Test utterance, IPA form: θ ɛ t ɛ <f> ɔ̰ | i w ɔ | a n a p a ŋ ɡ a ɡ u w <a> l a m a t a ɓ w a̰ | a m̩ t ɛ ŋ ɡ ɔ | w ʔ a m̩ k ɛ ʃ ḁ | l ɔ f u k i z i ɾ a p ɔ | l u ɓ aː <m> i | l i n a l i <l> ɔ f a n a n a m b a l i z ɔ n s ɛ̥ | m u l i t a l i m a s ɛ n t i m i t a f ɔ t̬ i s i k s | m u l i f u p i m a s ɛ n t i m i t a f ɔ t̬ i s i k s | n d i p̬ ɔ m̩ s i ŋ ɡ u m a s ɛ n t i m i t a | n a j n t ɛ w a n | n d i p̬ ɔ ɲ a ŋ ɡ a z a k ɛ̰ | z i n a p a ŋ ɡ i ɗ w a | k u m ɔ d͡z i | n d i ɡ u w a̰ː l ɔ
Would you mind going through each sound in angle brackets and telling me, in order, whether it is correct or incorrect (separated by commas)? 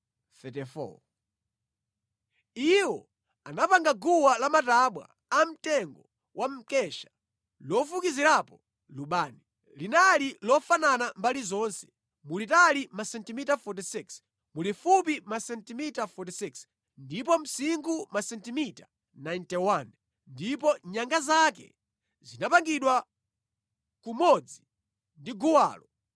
correct, correct, incorrect, correct